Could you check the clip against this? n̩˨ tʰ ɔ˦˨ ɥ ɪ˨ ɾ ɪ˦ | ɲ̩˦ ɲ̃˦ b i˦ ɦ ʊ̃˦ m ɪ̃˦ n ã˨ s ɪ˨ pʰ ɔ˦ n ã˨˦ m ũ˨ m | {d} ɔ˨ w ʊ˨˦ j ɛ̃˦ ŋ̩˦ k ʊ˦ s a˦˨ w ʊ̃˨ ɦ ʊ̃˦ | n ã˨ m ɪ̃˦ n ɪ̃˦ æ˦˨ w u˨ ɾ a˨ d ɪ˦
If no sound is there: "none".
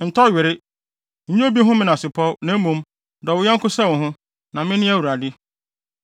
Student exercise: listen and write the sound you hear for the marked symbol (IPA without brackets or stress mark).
d